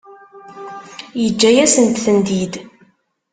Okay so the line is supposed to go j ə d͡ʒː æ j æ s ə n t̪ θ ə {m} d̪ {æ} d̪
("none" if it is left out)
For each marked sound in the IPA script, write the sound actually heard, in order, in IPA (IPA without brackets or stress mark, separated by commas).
n, i